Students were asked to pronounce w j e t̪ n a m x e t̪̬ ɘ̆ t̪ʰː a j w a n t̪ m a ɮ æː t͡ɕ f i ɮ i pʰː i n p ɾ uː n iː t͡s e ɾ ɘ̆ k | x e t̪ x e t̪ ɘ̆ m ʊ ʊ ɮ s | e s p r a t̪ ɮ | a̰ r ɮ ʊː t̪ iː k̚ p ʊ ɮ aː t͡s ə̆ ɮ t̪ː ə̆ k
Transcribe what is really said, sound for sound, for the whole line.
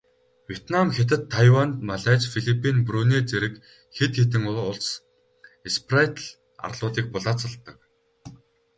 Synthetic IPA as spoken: w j e t̪ n a m x e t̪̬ ɘ̆ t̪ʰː a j w a n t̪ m a ɮ æː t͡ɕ f i ɮ i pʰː i n p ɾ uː n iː t͡s e ɾ ɘ̆ k | x e t̪ x e t̪ ɘ̆ ŋ ʊ ʊ ɮ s | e s p r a t̪ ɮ | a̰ r ɮ ʊː t̪ iː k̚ p ʊ ɮ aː t͡s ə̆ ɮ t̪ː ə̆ k

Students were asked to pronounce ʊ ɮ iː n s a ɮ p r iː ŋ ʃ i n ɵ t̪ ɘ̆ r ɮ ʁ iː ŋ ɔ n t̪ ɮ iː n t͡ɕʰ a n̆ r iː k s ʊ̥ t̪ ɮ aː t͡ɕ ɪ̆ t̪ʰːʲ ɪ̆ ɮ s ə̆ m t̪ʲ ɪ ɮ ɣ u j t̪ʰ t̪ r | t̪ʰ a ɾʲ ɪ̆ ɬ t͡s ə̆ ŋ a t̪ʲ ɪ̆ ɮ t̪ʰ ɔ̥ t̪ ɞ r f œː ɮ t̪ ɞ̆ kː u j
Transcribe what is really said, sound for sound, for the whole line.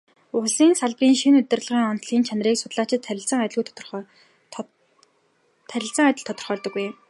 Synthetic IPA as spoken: ʊ ɮ iː n s a ɮ p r iː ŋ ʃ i n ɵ t̪ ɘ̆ r ɮ ʁ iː ŋ ɔ n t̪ ɮ iː n t͡ɕʰ a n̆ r iː k s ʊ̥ t̪ ɮ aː t͡ɕ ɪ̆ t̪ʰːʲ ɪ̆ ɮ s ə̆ ŋ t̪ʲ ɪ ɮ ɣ u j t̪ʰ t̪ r | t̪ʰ æ ɾʲ ɪ̆ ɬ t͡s ə̆ ŋ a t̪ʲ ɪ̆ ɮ t̪ʰ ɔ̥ t̪ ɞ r χ œː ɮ t̪ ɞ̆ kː u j

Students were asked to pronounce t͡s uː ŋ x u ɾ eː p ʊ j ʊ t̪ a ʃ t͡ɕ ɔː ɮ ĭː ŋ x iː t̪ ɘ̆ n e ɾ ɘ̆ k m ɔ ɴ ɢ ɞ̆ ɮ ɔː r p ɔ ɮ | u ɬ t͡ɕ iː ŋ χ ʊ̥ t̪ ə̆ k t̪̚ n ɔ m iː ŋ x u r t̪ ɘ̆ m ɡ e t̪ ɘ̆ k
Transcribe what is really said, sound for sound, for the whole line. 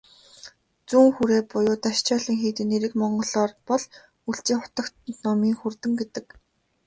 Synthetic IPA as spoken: t͡s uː ŋ x u ɾ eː p ʊ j ʊː t̪ a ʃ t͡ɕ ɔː ɮ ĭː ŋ x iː t̪ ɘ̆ n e ɾ ɘ̆ k m ɔ ɴ ɢ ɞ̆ ɮ ɔː r p ɔ ɮ | u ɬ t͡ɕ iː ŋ χ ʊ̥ t̪ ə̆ k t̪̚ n ɔ m iː ŋ x u r t̪ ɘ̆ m ɡ e t̪ ɘ̆ k

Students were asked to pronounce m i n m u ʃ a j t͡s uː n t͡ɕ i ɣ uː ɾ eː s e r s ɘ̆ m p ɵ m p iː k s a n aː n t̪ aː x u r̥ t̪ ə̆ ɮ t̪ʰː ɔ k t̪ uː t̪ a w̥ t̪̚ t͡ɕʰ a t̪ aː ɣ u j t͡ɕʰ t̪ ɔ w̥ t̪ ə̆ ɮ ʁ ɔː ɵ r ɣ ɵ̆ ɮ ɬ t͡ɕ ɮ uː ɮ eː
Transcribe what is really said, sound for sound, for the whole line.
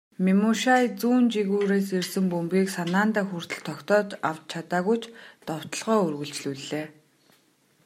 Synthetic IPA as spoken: m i m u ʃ a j t͡s uː n t͡ɕ i ɣ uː ɾ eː s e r s ɘ̆ m p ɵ m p iː k s a n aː n t̪ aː x u r̥ t̪ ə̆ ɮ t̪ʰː ɔ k t̪ ɔː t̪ a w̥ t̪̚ t͡ɕʰ a t̪ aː ɣ u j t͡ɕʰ t̪ ɔ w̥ t̪ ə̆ ɮ ʁ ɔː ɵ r ɣ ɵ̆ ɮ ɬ t͡ɕ ɮ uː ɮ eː

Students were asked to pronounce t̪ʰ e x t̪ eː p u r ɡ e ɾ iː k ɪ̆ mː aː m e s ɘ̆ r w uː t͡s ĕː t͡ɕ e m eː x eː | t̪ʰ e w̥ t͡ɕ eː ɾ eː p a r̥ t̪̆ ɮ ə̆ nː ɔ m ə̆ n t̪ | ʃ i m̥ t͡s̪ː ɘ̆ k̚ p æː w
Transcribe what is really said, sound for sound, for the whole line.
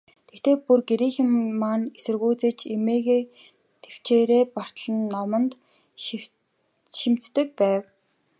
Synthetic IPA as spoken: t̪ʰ e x t̪ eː p u r ɡ e ɾ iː x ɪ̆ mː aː n e s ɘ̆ r ɣ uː t͡s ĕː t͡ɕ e m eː ɣ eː | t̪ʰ e w̥ t͡ɕ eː ɾ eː p a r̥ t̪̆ ɮ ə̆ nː ɔ m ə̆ n t̪ | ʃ i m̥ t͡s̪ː ɘ̆ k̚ p æː w

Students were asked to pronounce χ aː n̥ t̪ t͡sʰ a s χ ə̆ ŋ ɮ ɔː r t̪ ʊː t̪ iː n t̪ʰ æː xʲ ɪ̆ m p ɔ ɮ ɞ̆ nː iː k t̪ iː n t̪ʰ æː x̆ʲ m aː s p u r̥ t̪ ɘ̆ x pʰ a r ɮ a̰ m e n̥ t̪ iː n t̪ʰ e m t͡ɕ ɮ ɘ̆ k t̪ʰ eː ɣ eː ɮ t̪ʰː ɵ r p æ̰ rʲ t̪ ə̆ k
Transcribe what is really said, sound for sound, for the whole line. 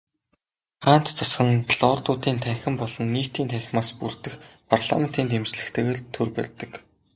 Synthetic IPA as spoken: χ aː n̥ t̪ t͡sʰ a s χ ə̆ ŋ ɮ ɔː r t̪ ʊː t̪ iː n t̪ʰ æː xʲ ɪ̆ m p ɔ ɮ ɞ̆ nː iː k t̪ iː n t̪ʰ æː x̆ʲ m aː s p u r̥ t̪ ɘ̆ x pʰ a r ɮ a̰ m e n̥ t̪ iː n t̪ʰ e m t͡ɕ ɮ ɘ̆ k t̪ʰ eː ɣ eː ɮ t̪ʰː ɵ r p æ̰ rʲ t̪ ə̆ k

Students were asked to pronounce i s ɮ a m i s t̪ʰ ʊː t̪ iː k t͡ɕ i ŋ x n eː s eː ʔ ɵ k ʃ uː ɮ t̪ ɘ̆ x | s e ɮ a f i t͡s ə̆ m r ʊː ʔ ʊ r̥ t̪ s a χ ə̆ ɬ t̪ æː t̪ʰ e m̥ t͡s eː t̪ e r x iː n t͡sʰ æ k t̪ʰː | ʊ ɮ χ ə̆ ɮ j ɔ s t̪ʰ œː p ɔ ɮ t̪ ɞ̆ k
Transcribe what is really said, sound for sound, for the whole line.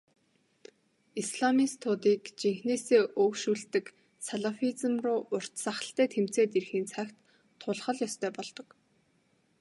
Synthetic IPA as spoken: i s ɮ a m i s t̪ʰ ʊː t̪ iː k t͡ɕ i ŋ x n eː s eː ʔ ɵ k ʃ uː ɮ t̪ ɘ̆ k | s a ɮ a f i t͡s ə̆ m r ʊː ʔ ʊ r̥ t̪ s a χ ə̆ ɬ t̪ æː t̪ʰ e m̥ t͡s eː t̪ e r x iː n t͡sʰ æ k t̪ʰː | ʊ ɮ χ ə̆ ɮ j ɔ s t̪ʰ œː p ɔ ɮ t̪ ɞ̆ k

